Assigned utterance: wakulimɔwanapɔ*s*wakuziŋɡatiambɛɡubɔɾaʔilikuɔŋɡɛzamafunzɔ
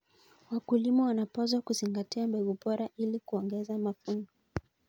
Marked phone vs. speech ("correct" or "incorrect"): incorrect